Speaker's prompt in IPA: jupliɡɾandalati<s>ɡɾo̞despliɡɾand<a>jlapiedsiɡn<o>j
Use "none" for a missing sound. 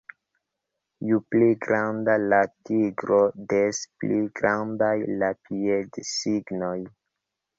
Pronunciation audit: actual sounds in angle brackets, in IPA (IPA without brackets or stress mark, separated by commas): none, a, o